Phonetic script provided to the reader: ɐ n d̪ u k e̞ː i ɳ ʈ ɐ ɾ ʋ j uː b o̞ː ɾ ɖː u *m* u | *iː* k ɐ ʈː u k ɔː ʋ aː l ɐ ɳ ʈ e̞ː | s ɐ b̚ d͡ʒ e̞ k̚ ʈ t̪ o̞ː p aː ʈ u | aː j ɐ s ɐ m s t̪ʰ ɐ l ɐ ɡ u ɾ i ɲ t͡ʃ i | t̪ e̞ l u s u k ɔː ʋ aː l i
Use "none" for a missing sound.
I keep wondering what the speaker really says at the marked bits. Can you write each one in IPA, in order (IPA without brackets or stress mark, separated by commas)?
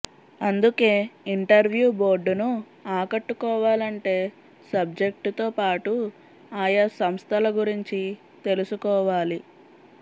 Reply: n, aː